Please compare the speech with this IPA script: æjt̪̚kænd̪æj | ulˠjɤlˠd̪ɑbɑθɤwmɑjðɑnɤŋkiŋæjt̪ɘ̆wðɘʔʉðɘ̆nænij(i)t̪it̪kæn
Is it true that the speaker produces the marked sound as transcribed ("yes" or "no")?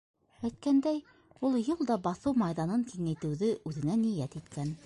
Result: no